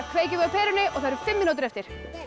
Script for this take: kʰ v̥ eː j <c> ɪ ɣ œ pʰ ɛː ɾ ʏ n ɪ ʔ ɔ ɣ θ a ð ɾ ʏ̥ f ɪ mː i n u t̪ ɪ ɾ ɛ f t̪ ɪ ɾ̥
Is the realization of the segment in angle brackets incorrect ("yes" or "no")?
no